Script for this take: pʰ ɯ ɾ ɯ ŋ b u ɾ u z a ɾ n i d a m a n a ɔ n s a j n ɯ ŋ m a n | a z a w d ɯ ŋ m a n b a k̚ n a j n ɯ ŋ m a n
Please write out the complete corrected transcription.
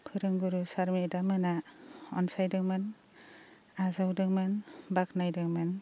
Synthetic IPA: pʰ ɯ ɾ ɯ ŋ ɡ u ɾ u s a ɾ m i d a m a n a ɔ n s a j d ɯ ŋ m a n | a z a w d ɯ ŋ m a n b a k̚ n a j d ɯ ŋ m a n